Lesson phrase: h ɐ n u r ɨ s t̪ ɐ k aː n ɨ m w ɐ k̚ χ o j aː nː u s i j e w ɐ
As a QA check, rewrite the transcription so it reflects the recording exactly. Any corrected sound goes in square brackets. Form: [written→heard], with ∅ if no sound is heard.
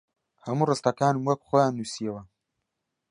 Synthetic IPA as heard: h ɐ [n→m] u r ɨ s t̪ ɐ k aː n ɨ m w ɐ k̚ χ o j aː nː u s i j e w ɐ